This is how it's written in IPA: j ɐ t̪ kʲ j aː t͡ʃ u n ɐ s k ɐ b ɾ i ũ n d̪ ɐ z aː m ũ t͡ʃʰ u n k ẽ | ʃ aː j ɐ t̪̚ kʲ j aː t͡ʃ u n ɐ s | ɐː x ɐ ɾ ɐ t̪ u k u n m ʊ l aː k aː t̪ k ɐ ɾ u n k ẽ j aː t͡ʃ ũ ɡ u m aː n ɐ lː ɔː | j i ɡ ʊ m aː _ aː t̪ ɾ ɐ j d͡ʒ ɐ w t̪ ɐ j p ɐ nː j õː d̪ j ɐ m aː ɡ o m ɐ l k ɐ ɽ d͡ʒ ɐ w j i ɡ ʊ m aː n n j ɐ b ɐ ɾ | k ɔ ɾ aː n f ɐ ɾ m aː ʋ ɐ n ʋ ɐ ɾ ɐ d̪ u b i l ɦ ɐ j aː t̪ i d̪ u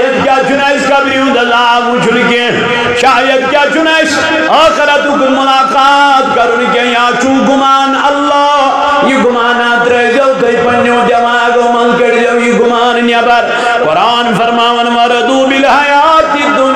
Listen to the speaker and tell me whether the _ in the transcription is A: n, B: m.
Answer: A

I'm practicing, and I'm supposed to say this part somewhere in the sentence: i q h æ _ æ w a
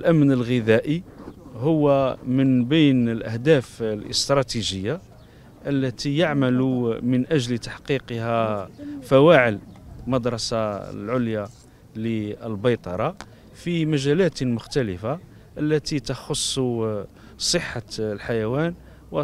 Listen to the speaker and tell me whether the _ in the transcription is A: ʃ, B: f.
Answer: B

